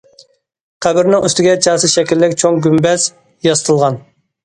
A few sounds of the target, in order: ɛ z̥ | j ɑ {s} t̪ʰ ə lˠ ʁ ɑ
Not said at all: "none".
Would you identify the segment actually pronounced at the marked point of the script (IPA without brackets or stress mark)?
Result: s